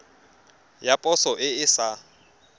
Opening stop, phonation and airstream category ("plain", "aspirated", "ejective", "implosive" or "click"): ejective